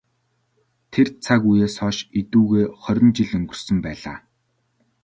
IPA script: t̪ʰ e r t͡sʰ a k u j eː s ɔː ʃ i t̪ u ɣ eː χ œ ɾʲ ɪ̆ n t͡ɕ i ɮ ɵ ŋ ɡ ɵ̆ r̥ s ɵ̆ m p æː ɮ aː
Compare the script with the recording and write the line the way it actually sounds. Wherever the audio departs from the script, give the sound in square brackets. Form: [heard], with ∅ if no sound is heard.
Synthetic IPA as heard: t̪ʰ e r t͡sʰ a k u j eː s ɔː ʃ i t̪ [uː] ɣ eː χ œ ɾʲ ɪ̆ n t͡ɕ i ɮ ɵ ŋ ɡ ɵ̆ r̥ s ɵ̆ m p æː ɮ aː